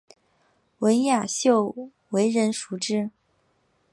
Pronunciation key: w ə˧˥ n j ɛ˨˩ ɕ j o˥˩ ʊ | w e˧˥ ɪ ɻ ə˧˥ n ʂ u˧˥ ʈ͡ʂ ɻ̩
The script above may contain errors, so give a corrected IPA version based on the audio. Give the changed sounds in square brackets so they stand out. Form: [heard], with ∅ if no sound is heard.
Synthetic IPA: w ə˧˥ n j [a˨˩] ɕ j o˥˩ ʊ | w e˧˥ ɪ ɻ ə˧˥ n ʂ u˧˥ ʈ͡ʂ ɻ̩